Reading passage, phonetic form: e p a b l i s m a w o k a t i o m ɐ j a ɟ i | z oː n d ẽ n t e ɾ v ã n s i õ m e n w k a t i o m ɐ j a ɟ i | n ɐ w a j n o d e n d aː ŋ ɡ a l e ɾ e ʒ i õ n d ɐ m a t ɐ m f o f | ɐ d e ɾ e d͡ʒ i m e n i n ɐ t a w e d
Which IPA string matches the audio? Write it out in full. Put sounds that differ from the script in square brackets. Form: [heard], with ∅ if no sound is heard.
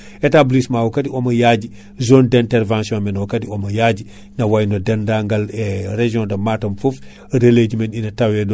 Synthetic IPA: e [t] a b l i s m a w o k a t i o m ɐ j a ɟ i | z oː n d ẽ n t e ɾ v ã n s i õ m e n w k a t i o m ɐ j a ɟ i | n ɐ w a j n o d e n d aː ŋ ɡ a l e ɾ e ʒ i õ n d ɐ m a t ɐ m f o f | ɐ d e [l] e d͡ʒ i m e n i n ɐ t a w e d